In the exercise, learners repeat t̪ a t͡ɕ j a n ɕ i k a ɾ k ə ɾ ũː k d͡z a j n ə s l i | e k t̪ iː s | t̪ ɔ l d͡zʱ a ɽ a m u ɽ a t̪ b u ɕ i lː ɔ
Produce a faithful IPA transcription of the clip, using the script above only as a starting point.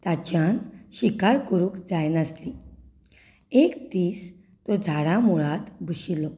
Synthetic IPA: t̪ a t͡ɕ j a n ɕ i k a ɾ k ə ɾ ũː k d͡z a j n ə s l i | e k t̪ iː s | t̪ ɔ d͡zʱ a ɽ a m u ɭ a t̪ b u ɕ i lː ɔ